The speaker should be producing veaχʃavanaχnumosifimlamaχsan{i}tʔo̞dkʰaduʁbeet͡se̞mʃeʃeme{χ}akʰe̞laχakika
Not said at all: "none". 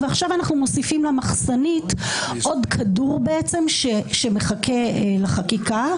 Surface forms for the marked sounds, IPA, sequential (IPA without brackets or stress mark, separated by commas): i, χ